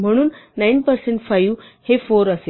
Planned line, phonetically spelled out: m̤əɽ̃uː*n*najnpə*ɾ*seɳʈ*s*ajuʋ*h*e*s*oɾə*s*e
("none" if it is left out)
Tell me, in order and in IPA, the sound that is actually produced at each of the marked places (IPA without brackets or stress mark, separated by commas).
n, ɾ, f, h, f, s